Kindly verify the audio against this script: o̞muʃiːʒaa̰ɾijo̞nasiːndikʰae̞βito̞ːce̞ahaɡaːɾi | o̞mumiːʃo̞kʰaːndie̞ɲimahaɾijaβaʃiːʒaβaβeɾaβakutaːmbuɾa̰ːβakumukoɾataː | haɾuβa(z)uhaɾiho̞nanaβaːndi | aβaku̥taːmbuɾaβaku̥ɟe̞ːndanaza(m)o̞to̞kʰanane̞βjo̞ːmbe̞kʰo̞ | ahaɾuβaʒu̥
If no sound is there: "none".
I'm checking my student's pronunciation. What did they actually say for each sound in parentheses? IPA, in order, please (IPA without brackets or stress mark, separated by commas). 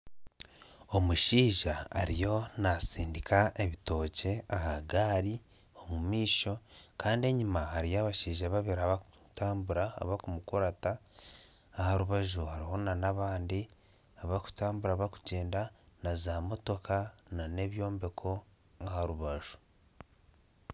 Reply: ʒ, m